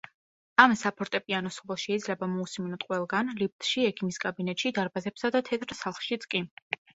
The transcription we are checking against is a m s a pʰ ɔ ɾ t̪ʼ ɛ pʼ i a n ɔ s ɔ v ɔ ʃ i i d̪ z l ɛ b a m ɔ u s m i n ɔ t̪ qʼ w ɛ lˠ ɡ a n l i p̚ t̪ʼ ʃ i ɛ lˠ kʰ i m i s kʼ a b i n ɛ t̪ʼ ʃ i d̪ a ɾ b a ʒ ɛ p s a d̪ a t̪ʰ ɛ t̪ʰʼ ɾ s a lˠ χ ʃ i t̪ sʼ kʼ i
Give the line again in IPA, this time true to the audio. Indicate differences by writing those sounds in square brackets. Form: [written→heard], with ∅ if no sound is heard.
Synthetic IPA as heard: a m s a pʰ ɔ ɾ t̪ʼ ɛ pʼ i a n ɔ s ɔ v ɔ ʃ [i→ɛ] i d̪ z l ɛ b a m ɔ u s m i n ɔ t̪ qʼ w ɛ lˠ ɡ a n l i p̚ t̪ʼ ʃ i ɛ [lˠ→∅] kʰ i m i s kʼ a b i n ɛ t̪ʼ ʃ i d̪ a ɾ b a [ʒ→z] ɛ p s a d̪ a t̪ʰ ɛ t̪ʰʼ ɾ s a lˠ χ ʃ i t̪ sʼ kʼ i

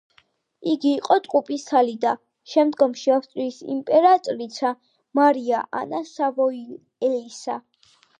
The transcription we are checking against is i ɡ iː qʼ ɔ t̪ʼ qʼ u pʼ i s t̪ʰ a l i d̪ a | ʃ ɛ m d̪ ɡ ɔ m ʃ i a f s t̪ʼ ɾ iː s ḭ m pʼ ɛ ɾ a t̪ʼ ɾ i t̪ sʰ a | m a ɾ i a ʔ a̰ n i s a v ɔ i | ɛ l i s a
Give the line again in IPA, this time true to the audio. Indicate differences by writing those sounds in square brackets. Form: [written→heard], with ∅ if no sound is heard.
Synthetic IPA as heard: i ɡ iː qʼ ɔ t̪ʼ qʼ u pʼ i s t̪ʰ a l i d̪ a | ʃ ɛ m d̪ ɡ ɔ m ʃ i a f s t̪ʼ ɾ iː s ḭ m pʼ ɛ ɾ a t̪ʼ ɾ i t̪ sʰ a | m a ɾ i a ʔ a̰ n [i→a] s a v ɔ i | ɛ l i s a

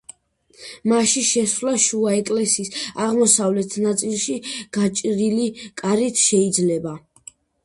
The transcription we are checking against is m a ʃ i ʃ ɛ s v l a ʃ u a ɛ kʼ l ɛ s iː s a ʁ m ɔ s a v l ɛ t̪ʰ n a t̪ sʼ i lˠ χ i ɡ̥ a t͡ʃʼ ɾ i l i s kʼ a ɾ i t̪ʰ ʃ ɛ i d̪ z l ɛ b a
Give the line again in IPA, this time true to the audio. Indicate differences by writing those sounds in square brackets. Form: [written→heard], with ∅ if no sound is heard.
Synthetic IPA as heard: m a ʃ i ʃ ɛ s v l a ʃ u a ɛ kʼ l ɛ s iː s a ʁ m ɔ s a v l ɛ t̪ʰ n a t̪ sʼ i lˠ [χ→ʃ] i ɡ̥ a t͡ʃʼ ɾ i l i [s→∅] kʼ a ɾ i t̪ʰ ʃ ɛ i d̪ z l ɛ b a

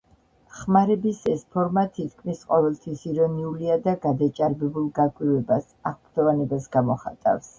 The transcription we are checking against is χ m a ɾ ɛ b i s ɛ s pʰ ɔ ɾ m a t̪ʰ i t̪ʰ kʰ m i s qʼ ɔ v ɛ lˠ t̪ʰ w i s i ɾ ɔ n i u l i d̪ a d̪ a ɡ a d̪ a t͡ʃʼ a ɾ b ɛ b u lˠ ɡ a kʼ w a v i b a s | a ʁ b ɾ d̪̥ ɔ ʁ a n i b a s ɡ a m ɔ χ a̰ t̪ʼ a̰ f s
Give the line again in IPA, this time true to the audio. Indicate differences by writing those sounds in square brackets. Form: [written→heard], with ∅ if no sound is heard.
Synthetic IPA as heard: χ m a ɾ ɛ b i s ɛ s pʰ ɔ ɾ m a t̪ʰ i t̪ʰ kʰ m i s qʼ ɔ v ɛ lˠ t̪ʰ w i s i ɾ ɔ n i u l i [d̪→∅] a d̪ a ɡ a d̪ a t͡ʃʼ a ɾ b ɛ b u lˠ ɡ a kʼ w [a→i] v [i→ɛ] b a s | a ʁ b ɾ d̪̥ ɔ [ʁ→v] a n [i→ɛ] b a s ɡ a m ɔ χ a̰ t̪ʼ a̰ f s

